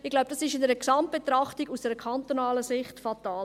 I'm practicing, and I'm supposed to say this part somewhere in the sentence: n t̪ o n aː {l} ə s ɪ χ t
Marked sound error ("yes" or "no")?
no